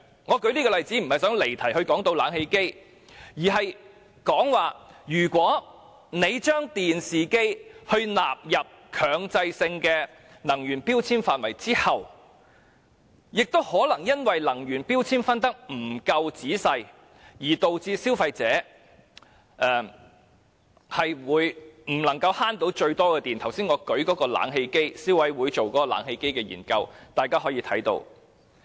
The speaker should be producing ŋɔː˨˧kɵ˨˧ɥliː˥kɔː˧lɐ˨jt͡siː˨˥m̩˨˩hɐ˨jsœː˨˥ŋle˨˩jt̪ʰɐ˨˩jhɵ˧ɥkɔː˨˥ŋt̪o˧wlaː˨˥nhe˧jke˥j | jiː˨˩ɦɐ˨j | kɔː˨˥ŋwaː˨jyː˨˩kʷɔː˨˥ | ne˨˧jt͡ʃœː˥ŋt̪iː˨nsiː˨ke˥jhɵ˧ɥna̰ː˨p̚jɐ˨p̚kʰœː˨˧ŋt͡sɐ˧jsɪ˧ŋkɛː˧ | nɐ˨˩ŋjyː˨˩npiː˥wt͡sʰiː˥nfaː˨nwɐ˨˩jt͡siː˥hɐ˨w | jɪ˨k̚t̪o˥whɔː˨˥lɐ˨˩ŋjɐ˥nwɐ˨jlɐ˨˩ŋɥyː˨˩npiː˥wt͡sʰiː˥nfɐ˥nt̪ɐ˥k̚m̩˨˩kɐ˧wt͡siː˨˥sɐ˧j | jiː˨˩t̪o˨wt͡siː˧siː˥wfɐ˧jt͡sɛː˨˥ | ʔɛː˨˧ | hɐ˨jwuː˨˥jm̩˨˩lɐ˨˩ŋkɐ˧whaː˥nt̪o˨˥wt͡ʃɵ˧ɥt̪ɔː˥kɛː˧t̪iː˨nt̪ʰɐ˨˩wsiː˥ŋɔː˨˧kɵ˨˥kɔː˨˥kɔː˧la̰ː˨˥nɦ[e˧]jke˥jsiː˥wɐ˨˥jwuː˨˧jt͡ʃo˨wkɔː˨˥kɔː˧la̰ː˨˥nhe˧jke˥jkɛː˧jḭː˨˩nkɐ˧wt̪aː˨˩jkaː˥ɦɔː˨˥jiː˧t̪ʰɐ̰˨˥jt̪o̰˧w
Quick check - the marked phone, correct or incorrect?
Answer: correct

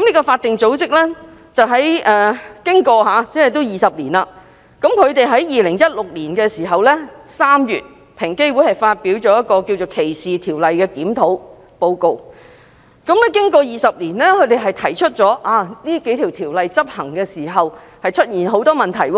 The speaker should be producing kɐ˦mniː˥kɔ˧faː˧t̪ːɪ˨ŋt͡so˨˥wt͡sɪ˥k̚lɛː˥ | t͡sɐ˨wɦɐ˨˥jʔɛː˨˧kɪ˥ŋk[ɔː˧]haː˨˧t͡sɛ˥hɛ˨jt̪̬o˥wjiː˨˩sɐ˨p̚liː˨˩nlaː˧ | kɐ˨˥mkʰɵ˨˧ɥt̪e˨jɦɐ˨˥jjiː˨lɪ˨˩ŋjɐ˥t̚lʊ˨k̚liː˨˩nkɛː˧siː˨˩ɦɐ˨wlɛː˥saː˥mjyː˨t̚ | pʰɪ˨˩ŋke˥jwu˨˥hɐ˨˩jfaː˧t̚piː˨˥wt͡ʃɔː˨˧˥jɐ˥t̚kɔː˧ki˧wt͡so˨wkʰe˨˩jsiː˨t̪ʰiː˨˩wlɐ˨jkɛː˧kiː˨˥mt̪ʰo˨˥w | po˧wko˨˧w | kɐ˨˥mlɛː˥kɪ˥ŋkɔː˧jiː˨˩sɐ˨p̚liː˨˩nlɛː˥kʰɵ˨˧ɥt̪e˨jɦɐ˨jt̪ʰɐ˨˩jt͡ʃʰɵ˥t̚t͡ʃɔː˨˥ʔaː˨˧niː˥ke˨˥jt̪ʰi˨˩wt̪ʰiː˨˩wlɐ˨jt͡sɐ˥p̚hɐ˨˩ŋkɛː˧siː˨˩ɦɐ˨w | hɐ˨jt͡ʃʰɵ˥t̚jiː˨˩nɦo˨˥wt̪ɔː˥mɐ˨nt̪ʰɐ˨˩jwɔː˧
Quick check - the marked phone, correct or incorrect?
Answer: correct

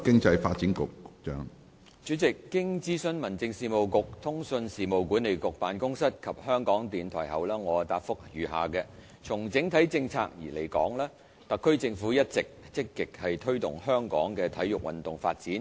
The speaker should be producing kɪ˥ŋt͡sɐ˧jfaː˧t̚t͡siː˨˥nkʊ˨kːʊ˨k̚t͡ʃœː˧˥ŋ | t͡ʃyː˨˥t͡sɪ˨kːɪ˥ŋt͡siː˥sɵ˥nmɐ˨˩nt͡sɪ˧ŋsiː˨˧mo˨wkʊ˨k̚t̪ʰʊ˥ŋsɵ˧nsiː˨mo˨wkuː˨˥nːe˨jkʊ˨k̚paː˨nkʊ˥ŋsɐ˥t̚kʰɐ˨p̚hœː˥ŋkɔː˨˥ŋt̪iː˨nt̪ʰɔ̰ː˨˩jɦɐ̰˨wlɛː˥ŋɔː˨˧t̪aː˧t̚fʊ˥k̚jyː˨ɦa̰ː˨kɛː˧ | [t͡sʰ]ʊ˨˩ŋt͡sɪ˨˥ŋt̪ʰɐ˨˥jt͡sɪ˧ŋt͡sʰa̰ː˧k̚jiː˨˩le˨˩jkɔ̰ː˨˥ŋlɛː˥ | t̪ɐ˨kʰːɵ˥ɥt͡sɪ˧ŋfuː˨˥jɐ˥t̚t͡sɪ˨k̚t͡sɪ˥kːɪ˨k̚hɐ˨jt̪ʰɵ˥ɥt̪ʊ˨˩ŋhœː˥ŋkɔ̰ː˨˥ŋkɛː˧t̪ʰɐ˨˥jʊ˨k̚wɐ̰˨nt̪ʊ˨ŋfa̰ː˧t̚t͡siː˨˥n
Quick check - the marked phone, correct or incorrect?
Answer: correct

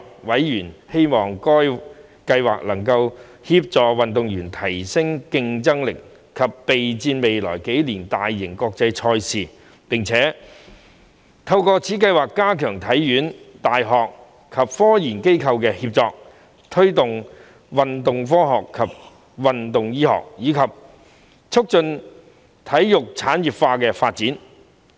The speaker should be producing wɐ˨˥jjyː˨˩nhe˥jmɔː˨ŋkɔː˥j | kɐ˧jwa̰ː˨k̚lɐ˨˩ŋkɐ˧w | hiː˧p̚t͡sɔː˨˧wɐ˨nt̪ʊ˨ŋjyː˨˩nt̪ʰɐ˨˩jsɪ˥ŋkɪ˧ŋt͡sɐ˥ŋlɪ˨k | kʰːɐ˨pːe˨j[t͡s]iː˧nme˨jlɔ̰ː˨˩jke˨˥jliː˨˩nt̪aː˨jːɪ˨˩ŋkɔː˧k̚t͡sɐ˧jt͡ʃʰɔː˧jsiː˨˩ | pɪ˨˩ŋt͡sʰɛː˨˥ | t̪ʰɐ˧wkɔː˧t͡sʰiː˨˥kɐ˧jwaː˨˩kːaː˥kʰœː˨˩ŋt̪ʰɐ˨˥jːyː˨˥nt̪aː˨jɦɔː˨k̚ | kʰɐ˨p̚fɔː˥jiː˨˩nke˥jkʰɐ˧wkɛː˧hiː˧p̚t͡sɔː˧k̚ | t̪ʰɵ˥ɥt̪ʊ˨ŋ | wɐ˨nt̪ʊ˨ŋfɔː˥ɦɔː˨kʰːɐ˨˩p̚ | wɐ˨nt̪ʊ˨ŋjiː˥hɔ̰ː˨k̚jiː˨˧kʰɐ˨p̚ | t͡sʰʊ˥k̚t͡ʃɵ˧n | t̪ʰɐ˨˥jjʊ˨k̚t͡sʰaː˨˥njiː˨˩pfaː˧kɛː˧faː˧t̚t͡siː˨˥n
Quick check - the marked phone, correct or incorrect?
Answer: correct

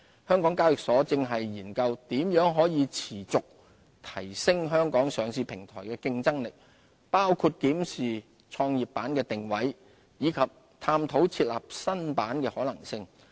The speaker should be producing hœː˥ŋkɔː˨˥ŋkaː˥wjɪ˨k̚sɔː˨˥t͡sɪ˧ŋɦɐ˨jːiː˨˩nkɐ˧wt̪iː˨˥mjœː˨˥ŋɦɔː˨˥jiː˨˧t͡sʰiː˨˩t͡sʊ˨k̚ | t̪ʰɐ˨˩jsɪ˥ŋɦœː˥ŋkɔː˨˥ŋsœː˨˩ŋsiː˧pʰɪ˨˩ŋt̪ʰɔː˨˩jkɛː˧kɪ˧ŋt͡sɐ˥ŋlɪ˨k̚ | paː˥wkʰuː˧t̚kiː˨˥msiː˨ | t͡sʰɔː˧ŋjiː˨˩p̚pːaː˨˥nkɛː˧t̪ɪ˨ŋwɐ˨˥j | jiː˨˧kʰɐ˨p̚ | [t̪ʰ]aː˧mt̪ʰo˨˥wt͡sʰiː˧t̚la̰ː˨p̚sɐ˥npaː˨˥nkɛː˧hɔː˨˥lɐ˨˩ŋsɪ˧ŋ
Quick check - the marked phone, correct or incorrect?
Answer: correct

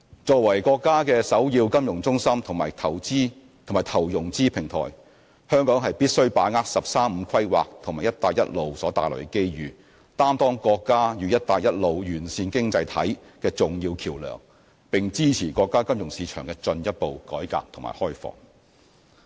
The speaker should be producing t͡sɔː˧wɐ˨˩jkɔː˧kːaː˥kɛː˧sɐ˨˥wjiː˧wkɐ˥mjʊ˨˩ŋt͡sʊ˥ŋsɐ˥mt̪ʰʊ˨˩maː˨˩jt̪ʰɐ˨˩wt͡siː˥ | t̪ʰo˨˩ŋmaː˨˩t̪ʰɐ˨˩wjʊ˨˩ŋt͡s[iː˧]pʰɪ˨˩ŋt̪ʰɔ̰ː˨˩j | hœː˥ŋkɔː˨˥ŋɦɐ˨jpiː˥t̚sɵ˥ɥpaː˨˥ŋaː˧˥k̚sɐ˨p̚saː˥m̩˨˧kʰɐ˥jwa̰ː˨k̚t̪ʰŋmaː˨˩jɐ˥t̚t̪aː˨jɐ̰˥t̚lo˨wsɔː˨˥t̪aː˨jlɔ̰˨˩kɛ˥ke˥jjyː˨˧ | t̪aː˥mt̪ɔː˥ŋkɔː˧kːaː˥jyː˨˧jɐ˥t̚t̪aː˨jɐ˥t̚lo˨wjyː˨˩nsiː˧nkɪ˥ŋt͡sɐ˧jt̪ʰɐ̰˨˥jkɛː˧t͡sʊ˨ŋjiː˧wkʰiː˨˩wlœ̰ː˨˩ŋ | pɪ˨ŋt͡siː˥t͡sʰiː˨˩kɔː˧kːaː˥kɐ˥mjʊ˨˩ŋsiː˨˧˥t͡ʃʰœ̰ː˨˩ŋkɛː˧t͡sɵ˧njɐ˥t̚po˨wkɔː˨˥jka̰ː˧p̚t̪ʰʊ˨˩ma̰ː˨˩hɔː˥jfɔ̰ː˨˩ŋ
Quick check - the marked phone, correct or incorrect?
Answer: incorrect: iː˥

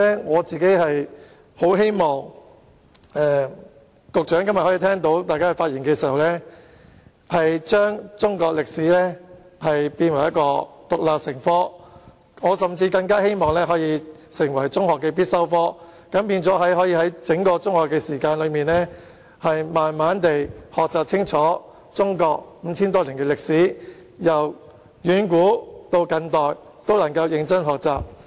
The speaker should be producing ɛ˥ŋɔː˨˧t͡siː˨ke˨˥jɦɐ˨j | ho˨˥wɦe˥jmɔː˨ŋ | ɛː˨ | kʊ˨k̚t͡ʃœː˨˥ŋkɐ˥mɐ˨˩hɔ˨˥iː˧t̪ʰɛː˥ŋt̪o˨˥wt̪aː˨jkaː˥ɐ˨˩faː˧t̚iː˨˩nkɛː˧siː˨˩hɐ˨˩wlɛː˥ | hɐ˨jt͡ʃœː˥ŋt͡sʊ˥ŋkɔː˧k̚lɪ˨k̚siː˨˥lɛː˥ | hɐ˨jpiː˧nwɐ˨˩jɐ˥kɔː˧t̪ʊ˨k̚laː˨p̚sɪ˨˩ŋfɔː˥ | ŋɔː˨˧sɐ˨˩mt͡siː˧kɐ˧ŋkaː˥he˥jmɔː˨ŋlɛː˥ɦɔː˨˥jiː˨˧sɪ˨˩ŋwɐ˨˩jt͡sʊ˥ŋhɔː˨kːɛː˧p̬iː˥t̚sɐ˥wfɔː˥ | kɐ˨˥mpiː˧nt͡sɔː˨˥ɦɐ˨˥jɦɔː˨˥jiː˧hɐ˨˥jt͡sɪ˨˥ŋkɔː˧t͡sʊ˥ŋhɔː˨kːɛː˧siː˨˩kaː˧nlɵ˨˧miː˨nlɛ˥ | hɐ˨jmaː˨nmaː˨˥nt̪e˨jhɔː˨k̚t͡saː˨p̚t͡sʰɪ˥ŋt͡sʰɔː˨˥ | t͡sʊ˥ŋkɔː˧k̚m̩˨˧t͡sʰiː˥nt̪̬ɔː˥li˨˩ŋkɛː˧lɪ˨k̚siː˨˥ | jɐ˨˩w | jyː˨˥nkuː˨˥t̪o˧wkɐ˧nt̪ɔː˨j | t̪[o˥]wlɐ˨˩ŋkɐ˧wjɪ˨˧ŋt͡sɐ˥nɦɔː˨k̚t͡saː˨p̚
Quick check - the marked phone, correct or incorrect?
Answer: correct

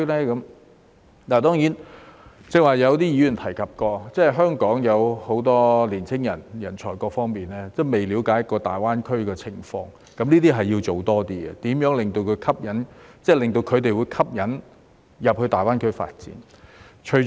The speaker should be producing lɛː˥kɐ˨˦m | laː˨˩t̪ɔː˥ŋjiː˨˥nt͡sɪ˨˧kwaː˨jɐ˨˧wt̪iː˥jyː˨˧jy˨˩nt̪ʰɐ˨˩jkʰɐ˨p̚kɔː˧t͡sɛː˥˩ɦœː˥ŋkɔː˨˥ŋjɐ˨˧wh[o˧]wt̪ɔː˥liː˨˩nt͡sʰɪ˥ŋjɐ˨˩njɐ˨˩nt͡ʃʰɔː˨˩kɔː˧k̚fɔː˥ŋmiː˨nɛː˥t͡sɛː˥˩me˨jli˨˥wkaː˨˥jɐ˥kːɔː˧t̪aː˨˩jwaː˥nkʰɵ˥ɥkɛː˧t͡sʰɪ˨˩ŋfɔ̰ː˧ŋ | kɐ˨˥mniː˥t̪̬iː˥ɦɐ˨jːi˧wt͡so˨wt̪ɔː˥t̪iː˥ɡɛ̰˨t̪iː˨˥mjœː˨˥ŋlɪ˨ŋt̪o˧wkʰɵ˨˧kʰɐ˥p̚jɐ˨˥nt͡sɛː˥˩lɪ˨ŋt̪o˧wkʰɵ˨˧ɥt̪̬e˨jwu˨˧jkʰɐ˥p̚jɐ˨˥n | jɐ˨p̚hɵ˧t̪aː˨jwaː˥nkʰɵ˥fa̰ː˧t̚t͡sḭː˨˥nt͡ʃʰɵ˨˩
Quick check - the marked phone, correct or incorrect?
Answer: incorrect: o˨˥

